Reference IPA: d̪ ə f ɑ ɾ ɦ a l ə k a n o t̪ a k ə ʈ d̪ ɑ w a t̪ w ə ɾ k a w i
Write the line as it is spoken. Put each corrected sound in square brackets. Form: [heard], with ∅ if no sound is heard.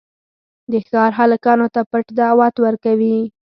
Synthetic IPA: d̪ ə [x] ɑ ɾ ɦ a l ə k [ɑ] n o t̪ a [p] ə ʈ d̪ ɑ w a t̪ w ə ɾ k a w i